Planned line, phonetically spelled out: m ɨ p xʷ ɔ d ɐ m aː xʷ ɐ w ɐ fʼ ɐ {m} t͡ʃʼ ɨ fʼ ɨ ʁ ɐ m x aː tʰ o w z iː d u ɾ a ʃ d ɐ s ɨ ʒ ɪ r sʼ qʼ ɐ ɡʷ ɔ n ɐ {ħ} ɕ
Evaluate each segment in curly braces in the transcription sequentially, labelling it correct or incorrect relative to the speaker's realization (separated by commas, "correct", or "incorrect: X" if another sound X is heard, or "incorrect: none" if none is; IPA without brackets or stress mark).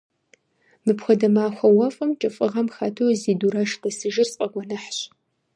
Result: correct, correct